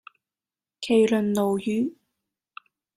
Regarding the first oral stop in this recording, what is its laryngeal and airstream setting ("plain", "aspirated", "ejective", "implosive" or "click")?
aspirated